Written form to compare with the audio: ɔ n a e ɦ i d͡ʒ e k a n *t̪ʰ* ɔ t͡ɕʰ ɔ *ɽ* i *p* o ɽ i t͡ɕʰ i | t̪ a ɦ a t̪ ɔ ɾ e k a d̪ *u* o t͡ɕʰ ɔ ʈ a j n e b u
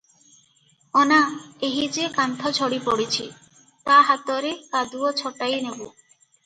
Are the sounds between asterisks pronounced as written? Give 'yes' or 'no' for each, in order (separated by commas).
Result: yes, yes, yes, yes